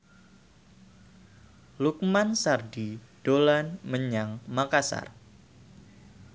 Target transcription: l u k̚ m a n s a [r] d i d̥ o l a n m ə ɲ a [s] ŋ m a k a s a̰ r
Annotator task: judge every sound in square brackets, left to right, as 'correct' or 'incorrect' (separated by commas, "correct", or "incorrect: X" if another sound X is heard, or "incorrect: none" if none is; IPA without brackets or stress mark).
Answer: correct, incorrect: none